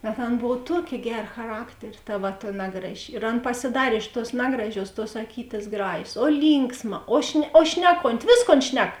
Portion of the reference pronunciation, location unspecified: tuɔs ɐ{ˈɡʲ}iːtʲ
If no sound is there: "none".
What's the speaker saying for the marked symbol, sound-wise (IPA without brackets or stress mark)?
kʲ